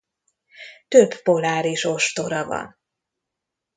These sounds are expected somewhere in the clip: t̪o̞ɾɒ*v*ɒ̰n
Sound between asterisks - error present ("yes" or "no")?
no